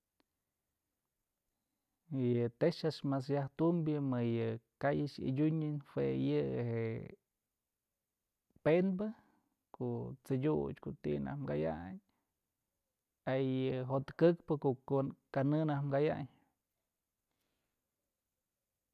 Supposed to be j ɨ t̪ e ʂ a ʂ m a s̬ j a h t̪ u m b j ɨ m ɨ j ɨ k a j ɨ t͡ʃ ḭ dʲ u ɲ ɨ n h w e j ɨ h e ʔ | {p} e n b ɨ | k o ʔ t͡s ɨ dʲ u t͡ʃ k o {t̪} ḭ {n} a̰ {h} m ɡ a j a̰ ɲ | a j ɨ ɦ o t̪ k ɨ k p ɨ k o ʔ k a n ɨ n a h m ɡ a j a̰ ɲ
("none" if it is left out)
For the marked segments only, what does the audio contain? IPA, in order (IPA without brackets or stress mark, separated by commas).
p, t̪, n, h